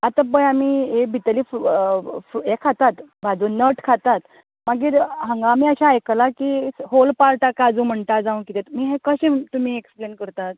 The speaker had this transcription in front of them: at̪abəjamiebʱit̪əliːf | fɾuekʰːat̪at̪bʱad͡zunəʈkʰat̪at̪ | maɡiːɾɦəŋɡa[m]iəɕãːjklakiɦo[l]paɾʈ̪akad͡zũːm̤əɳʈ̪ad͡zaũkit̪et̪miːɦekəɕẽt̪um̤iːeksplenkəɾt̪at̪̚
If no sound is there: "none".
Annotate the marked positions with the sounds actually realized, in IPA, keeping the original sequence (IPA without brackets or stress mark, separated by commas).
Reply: m, l